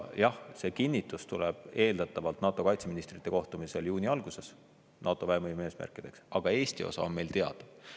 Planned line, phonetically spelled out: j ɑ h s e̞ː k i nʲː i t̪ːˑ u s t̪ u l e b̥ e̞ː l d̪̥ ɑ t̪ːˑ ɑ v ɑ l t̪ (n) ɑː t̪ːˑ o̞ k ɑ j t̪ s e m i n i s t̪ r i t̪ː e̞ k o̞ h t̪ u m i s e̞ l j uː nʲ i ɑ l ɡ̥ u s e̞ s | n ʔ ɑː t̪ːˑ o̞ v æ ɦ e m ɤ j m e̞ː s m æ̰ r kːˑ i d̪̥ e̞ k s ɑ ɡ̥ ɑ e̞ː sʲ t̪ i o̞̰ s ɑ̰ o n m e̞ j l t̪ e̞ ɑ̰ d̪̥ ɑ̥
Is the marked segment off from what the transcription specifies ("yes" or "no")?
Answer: no